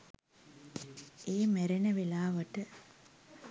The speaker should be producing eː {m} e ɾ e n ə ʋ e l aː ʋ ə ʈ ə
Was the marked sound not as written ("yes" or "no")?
no